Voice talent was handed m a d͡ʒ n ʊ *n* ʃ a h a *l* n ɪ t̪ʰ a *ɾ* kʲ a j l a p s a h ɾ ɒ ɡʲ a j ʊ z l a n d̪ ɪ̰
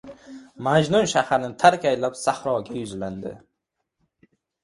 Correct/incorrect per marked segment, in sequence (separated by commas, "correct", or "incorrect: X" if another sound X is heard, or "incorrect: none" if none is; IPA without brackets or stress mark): correct, incorrect: ɾ, correct